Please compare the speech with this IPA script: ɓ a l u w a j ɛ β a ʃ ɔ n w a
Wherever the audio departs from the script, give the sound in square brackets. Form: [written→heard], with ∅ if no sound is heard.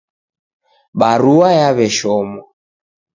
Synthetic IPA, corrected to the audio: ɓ a [l→ɾ] u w a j [ɛ→a] β [a→ɛ] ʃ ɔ [n→m] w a